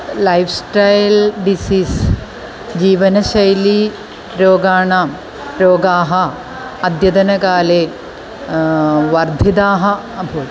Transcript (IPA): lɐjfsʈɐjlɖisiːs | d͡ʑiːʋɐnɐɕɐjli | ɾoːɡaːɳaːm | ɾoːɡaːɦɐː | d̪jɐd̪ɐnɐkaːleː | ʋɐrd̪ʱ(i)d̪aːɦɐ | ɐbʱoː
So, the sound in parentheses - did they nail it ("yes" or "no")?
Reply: yes